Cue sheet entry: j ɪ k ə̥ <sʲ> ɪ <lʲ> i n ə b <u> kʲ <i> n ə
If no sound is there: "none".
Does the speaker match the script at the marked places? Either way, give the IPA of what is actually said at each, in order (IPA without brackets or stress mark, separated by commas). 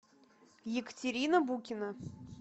tʲ, ɾʲ, u, ɪ